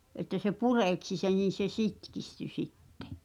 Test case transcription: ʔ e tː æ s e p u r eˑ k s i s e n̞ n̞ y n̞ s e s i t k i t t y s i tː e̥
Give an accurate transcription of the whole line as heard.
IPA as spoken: ʔ e tː æ s e p u r eˑ k s i s e n̞ n̞ i n̞ s e s i t k i s t y s i tː e̥